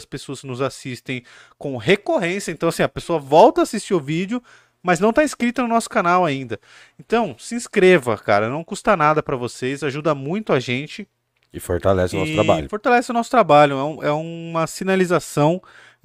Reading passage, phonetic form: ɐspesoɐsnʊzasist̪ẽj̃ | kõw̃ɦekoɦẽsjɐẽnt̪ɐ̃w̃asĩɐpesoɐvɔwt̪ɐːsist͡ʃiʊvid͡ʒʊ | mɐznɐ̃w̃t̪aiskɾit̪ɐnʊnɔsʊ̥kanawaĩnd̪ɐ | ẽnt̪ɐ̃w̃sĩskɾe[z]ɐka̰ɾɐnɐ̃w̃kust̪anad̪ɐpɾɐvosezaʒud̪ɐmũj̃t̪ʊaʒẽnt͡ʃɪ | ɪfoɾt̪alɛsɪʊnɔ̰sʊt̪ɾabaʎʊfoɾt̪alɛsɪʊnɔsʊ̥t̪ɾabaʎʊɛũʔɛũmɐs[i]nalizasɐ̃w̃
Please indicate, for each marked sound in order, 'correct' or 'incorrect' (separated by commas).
incorrect, correct